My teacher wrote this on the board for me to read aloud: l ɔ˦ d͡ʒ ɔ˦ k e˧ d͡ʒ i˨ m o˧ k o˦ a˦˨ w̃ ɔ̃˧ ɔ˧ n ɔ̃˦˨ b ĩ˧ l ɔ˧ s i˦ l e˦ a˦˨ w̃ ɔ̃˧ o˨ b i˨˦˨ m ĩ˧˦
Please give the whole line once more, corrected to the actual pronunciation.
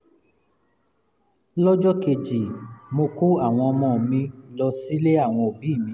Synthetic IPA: l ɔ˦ d͡ʒ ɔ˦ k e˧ d͡ʒ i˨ m o˧ k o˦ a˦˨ w̃ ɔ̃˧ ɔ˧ m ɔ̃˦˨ m ĩ˧ l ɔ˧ s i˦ l e˦ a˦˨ w̃ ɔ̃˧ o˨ b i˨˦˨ m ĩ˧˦